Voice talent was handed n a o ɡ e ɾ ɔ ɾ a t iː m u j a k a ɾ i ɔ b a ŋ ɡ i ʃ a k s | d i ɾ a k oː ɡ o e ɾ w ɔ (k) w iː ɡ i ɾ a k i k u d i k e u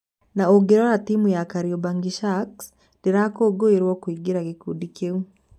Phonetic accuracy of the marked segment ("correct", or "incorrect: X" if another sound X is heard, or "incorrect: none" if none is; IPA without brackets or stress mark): correct